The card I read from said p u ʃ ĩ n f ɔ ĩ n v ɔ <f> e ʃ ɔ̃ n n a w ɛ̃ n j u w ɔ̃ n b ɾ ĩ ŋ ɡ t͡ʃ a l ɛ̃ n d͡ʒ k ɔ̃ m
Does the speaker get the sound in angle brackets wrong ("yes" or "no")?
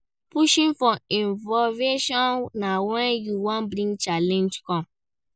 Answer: yes